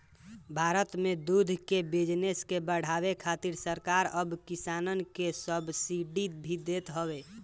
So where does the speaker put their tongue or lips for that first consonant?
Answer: lips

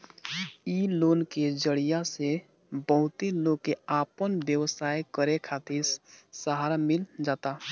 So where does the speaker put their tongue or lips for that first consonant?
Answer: tongue tip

